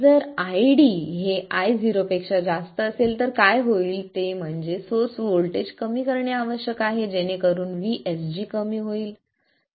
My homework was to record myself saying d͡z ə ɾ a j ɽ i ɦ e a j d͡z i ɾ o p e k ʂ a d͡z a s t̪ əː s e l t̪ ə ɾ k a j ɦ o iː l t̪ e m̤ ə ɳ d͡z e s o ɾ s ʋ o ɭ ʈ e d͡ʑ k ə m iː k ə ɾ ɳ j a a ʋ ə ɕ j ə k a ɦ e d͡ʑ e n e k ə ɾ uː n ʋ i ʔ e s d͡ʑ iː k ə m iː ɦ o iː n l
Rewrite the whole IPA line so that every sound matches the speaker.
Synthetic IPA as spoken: d͡z ə ɾ a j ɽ i ɦ e a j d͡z i ɾ o p e k ʂ a d͡z a s t̪ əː s e l t̪ ə ɾ k a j ɦ o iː l t̪ e m̤ ə ɳ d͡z e s o ɾ s ʋ o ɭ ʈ e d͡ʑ k ə m iː k ə ɾ ɳ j a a ʋ ə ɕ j ə k a ɦ e d͡ʑ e n e k ə ɾ uː n ʋ i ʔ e s d͡ʑ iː k ə m iː ɦ o iː l